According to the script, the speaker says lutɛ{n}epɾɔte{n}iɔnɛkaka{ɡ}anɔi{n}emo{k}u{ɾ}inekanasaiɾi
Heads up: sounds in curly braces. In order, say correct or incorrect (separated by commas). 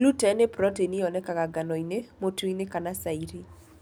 correct, correct, correct, correct, incorrect, incorrect